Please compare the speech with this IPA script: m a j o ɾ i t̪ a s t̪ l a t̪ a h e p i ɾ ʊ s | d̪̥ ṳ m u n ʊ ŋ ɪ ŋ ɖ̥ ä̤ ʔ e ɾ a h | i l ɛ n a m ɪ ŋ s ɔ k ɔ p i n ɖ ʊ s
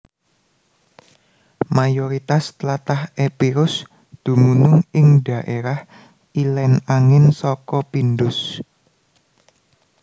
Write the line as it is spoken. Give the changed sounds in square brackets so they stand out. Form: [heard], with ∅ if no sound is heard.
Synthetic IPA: m a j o ɾ i t̪ a s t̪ l a t̪ a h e p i ɾ ʊ s | d̪̥ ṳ m u n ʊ ŋ ɪ ŋ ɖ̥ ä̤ ʔ e ɾ a h | i l ɛ n a [ŋ] ɪ [n] s ɔ k ɔ p i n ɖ ʊ s